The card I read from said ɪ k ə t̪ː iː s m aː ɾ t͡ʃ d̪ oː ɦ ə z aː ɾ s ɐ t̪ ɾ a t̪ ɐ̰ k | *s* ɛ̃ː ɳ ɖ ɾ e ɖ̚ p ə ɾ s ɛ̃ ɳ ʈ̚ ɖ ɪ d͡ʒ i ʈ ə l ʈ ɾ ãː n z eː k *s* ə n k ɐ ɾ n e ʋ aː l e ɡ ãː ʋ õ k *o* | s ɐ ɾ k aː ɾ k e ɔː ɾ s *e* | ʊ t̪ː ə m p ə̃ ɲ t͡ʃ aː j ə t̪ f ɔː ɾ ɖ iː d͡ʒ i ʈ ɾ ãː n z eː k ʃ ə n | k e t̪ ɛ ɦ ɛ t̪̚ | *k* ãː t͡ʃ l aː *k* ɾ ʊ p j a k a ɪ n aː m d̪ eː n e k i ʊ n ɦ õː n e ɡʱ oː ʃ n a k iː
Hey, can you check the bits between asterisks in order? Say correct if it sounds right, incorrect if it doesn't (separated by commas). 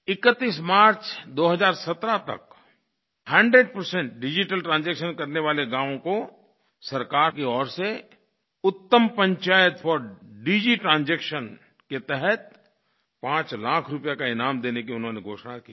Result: incorrect, incorrect, correct, correct, incorrect, incorrect